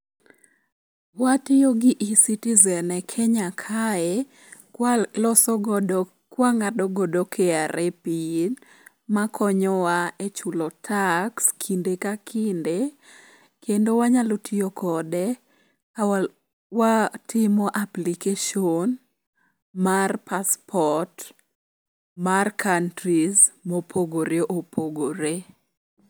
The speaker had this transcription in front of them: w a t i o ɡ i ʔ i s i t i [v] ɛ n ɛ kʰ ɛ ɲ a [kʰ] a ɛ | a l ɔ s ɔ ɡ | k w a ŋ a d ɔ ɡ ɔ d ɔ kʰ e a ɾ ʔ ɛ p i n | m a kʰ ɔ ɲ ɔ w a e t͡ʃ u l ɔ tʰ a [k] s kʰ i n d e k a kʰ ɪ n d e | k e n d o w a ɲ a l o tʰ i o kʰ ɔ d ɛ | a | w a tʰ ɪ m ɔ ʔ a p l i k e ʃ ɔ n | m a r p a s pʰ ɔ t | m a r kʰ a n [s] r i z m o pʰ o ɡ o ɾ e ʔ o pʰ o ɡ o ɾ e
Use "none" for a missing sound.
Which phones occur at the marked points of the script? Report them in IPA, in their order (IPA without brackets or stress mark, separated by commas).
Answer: z, kʰ, k, t